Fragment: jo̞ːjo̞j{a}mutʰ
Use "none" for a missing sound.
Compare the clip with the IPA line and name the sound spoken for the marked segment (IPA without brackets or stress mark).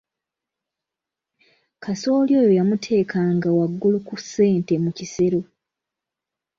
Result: a